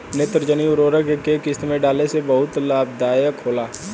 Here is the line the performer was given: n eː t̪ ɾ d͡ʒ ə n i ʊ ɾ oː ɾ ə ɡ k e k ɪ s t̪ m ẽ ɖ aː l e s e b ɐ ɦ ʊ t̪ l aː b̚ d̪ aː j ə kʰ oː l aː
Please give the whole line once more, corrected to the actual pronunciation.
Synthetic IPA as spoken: n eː t̪ ɾ d͡ʒ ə n i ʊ ɾ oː ɾ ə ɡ k e k ɪ s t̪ m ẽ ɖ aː l e s e b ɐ ɦ ʊ t̪ l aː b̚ d̪ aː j ə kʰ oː l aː